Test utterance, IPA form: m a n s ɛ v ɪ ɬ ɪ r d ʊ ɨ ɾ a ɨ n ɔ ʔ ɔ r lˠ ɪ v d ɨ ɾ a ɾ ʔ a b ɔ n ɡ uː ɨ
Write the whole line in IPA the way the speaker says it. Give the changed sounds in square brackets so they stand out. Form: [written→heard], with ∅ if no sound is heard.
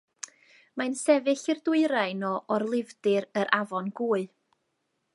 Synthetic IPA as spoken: m a n s ɛ v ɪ ɬ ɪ r d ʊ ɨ ɾ a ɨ n ɔ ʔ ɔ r lˠ ɪ v d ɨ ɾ [a→ə] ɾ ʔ a [b→v] ɔ n ɡ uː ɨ